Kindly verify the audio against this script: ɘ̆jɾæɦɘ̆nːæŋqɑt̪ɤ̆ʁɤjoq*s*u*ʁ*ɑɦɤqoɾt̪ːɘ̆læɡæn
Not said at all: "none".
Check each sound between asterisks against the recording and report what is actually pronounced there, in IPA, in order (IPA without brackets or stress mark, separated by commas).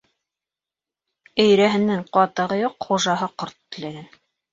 χ, ʒ